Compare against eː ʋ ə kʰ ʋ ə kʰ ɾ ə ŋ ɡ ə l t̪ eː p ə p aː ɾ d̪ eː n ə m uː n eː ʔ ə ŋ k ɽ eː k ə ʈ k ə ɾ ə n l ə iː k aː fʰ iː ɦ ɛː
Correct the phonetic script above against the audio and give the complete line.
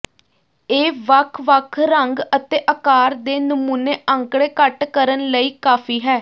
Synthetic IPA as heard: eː ʋ ə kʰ ʋ ə kʰ ɾ ə ŋ ɡ ə t̪ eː ʔ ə k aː ɾ d̪ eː n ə m uː n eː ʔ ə ŋ k ɽ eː k ə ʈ k ə ɾ ə n l ə iː k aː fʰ iː ɦ ɛː